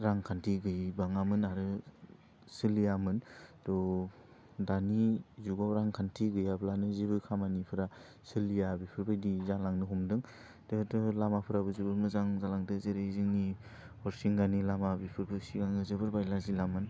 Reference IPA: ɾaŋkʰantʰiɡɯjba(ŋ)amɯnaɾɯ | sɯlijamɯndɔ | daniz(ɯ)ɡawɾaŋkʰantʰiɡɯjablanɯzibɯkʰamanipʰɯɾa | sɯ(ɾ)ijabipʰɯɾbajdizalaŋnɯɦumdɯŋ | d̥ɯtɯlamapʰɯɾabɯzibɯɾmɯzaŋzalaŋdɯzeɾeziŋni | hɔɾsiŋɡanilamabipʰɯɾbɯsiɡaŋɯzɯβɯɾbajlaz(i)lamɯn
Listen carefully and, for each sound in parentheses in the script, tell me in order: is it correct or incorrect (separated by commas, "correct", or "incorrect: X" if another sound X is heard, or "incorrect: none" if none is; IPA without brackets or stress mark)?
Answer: correct, incorrect: u, incorrect: l, correct